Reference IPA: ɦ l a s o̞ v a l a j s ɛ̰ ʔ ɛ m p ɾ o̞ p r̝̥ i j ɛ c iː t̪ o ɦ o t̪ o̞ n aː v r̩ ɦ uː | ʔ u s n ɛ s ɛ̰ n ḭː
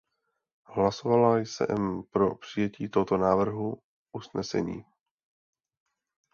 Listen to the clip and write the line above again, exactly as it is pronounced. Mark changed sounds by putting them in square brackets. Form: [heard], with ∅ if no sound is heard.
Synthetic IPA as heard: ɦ l a s o̞ v a l a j s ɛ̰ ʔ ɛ m p ɾ o̞ p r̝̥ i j ɛ c iː t̪ o ɦ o t̪ o̞ n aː v r̩ ɦ [u] | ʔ u s n ɛ s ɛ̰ [ɲ] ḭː